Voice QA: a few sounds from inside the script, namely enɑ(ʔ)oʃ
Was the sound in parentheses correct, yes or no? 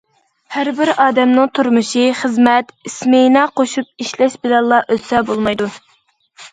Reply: no